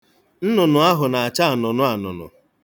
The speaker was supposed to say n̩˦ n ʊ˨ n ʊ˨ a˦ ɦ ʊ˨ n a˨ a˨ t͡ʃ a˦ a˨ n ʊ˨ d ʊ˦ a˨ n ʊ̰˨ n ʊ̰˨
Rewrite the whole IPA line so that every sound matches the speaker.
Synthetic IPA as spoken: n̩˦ n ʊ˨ n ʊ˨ a˦ ɦ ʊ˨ n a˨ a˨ t͡ʃ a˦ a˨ n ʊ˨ n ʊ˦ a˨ n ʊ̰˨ n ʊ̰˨